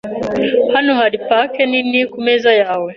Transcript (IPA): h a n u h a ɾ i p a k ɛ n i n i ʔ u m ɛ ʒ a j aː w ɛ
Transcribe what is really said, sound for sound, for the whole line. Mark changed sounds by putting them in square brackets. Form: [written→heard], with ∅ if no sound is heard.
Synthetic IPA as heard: h a n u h a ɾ i p a k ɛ n i n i [ʔ→k] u m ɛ [ʒ→z] a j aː w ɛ